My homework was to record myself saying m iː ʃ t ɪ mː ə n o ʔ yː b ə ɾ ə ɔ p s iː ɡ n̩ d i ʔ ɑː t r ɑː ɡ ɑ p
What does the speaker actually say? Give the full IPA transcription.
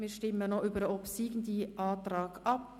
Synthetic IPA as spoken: m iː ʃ t ɪ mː ə n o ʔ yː b ə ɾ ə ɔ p s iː ɡ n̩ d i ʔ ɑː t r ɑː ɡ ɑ p